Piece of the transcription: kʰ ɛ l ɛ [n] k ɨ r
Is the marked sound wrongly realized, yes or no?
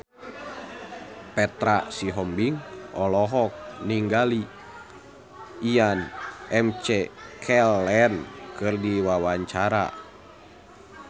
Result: no